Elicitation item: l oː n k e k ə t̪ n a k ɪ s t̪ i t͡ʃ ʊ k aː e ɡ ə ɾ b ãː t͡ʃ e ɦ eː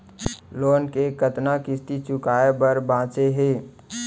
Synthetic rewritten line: l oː n k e k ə t̪ n a k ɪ s t̪ i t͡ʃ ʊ k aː e b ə ɾ b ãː t͡ʃ e ɦ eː